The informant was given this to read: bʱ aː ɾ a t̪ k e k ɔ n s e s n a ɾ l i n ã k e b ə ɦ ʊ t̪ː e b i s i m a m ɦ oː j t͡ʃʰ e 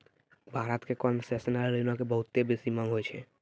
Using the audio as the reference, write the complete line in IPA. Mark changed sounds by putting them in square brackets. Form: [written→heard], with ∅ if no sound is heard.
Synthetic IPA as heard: bʱ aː ɾ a t̪ k e k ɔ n s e s n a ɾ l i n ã k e b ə ɦ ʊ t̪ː e b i s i m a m ɦ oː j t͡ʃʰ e